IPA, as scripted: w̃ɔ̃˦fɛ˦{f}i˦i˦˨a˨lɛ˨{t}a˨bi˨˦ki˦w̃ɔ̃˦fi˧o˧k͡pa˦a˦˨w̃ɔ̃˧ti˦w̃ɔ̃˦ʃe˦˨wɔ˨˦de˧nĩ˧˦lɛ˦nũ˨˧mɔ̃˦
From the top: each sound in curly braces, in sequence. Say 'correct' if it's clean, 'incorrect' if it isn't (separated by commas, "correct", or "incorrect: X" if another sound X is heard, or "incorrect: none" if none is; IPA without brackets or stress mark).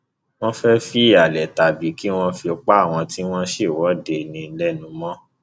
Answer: correct, correct